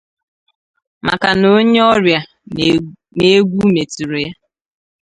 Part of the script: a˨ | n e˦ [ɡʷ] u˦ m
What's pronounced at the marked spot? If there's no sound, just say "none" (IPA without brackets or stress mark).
ɡʷ